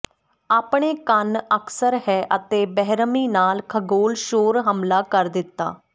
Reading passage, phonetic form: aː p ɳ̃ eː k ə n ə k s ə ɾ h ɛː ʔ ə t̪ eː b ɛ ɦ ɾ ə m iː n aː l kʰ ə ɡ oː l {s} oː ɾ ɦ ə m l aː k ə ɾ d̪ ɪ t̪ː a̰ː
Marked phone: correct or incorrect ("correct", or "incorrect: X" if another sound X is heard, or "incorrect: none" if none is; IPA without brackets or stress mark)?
incorrect: ʃ